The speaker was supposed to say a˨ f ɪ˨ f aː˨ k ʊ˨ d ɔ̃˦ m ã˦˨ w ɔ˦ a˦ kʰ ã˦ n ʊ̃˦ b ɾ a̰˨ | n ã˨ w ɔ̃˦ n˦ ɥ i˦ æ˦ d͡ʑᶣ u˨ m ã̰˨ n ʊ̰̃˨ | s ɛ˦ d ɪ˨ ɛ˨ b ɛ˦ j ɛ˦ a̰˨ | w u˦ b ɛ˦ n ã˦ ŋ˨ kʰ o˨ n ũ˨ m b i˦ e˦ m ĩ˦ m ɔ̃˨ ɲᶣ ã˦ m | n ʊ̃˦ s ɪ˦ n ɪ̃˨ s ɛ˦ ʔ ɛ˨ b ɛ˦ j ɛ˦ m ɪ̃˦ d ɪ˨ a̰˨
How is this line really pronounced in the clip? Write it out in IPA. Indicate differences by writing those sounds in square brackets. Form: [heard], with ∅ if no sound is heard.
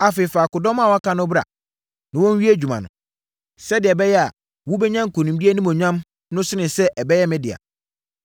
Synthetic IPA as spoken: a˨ f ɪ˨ f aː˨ k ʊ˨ d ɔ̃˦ m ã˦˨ w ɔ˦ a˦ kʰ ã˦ n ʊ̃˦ b ɾ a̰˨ | n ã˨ w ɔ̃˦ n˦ ɥ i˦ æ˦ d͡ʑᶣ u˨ m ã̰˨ n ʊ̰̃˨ | s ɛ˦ d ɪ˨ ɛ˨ b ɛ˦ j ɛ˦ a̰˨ | w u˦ b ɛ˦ [ɲ] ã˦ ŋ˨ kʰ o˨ n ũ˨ m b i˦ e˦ [n] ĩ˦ m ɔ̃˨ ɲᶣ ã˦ m | n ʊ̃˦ s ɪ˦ n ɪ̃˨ s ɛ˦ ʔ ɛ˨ b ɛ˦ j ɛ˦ m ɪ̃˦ d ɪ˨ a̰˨